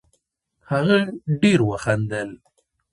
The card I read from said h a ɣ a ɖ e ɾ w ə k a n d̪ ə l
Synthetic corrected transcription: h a ɣ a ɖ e ɾ w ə x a n d̪ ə l